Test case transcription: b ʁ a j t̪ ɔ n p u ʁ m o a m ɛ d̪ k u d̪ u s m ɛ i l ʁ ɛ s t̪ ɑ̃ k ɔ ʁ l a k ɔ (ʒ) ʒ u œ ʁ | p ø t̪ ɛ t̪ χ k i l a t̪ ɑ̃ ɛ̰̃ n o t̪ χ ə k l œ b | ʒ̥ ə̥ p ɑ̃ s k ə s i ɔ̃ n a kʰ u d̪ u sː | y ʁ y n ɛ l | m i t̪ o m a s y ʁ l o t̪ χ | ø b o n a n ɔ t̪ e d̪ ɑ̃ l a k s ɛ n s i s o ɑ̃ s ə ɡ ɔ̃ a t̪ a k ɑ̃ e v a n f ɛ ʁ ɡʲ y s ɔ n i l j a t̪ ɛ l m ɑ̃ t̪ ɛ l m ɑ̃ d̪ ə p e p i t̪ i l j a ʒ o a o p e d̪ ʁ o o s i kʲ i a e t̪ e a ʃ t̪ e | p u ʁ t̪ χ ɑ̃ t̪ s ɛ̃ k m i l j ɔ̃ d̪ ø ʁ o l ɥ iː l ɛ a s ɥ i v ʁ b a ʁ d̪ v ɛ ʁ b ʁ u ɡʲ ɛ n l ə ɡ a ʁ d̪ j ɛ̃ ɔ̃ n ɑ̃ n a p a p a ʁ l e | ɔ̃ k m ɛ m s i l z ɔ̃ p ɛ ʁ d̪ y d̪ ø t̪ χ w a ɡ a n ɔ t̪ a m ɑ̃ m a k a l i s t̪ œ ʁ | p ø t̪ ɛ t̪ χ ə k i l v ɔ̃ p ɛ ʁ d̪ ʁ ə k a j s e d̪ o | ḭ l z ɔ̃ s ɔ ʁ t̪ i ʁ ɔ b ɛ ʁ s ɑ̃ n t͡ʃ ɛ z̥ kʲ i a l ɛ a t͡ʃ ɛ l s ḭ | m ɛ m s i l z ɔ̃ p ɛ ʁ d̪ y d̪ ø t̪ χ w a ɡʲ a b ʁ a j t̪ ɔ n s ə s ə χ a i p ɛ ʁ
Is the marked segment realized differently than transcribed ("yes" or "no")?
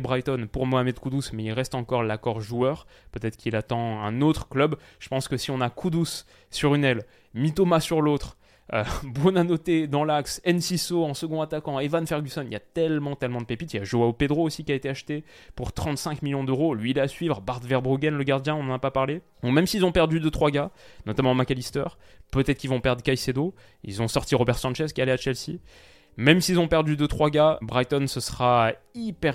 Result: yes